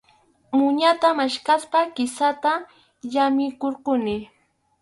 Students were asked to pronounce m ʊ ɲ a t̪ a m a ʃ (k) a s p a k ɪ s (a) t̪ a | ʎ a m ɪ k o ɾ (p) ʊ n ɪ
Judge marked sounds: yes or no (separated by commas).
yes, yes, no